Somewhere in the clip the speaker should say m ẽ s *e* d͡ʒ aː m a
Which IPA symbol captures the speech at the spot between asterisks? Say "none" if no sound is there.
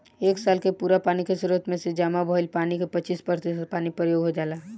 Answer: e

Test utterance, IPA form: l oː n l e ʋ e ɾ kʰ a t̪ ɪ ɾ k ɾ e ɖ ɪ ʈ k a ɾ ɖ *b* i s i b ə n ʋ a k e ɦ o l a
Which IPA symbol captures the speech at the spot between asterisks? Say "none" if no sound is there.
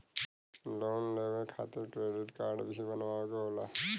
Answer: b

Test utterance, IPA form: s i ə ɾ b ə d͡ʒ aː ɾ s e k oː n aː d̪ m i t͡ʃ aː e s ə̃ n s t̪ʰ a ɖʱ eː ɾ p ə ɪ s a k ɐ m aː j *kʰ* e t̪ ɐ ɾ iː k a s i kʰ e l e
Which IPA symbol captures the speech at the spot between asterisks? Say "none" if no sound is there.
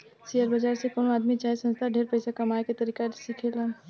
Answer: k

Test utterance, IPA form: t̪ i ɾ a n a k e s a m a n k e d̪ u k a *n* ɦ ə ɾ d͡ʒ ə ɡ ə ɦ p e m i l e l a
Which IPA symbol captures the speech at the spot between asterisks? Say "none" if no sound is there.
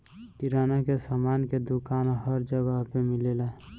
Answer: n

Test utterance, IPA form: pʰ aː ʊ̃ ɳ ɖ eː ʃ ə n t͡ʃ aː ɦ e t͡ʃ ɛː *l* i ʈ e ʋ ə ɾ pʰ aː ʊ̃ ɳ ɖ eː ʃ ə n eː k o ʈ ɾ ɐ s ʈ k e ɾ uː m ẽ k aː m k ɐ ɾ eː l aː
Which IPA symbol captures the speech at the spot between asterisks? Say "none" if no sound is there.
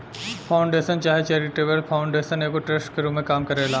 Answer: ɾ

